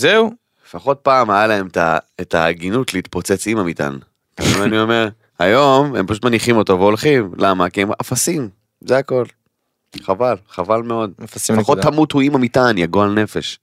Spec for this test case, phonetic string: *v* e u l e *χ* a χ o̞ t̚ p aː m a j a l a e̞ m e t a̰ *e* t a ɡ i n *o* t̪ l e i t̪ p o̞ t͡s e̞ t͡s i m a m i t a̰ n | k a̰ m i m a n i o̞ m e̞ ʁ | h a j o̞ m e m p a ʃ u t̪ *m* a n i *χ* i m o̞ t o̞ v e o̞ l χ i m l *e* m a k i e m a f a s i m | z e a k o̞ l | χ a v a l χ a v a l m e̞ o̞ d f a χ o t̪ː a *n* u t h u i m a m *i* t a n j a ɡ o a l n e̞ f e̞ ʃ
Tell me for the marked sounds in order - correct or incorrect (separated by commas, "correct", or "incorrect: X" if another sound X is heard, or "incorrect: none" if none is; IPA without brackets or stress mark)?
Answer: incorrect: z, incorrect: f, correct, incorrect: u, correct, correct, incorrect: a, incorrect: m, correct